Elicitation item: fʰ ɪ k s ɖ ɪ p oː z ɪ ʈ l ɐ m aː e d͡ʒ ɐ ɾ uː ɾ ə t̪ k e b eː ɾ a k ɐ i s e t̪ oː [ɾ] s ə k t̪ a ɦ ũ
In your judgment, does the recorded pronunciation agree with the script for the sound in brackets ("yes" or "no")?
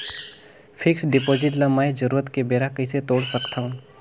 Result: no